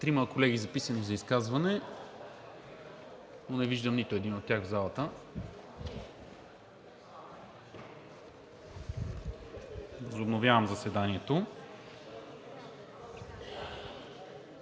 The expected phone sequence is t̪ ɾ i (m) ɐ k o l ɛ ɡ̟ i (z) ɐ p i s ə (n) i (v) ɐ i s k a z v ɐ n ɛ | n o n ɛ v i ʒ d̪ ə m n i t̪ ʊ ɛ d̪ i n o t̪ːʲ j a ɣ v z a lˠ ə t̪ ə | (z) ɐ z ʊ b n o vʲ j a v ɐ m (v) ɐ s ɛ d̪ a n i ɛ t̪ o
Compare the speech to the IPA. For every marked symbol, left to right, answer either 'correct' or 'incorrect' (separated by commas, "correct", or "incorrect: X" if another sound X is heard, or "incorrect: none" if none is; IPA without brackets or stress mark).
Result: correct, correct, correct, incorrect: z, incorrect: v, incorrect: z